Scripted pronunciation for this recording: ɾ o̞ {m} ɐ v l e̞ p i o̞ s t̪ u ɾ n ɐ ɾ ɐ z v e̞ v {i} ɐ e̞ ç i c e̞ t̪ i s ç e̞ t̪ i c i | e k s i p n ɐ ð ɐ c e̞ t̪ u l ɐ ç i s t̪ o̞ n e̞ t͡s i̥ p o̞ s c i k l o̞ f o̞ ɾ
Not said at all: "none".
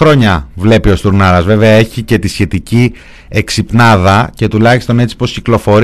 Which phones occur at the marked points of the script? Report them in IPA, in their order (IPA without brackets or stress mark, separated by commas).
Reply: ɲ, e